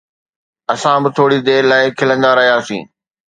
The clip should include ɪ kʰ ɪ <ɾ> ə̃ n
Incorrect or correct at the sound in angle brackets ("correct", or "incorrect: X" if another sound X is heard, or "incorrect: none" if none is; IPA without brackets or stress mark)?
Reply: incorrect: l